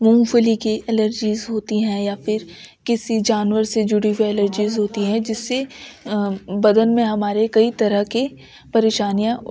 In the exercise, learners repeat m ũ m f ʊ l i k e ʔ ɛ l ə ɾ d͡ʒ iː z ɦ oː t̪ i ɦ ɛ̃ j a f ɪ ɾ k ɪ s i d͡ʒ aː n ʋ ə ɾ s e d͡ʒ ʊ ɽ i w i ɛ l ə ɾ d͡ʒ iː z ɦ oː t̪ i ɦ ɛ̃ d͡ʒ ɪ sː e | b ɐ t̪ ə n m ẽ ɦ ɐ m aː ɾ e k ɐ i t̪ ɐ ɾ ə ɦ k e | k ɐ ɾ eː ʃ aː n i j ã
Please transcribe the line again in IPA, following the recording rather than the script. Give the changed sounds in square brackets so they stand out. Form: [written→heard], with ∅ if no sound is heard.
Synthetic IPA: m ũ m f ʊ l i k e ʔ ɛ l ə ɾ d͡ʒ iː z ɦ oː t̪ i ɦ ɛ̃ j a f ɪ ɾ k ɪ s i d͡ʒ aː n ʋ ə ɾ s e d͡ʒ ʊ ɽ i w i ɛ l ə ɾ d͡ʒ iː z ɦ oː t̪ i ɦ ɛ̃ d͡ʒ ɪ sː e | b ɐ [t̪→d̪] ə n m ẽ ɦ ɐ m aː ɾ e k ɐ i t̪ ɐ ɾ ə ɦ k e | [k→p] ɐ ɾ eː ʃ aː n i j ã